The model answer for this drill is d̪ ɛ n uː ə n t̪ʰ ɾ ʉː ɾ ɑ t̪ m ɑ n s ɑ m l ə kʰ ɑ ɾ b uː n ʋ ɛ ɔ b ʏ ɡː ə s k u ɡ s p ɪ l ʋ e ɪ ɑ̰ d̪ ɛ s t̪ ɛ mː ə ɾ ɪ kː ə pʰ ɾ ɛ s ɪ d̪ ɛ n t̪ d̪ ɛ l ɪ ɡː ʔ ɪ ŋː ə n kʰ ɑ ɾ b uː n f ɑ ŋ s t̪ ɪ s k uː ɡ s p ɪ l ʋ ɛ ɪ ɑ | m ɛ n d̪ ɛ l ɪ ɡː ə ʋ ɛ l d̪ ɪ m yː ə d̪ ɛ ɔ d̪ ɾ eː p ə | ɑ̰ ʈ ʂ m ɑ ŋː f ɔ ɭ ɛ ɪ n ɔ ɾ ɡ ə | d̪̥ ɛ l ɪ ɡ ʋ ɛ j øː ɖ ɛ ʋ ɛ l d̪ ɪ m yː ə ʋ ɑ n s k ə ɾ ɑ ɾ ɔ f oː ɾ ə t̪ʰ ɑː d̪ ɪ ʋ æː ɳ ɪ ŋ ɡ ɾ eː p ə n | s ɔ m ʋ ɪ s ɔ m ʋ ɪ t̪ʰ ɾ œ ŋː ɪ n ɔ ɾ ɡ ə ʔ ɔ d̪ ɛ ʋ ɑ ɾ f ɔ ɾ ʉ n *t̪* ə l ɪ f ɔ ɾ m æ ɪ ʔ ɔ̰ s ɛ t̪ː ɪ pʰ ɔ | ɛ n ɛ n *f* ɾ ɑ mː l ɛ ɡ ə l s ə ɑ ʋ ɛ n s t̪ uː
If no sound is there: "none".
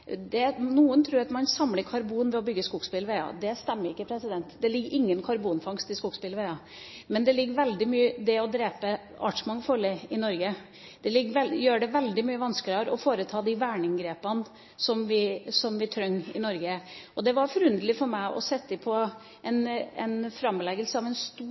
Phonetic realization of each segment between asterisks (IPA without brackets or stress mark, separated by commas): d̪, f